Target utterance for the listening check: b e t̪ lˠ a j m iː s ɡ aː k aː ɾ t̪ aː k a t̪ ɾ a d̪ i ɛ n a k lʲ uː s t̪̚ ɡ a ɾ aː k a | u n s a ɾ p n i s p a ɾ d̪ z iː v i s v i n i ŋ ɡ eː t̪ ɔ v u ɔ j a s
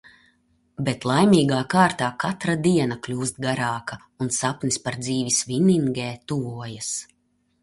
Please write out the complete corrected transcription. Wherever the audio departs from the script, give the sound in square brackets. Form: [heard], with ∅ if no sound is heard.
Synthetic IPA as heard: b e t̪ lˠ a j m iː [∅] ɡ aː k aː ɾ t̪ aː k a t̪ ɾ a d̪ i ɛ n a k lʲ uː s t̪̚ ɡ a ɾ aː k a | u n s a [∅] p n i s p a ɾ d̪ z iː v i s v i n i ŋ ɡ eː t̪ [u] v u ɔ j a s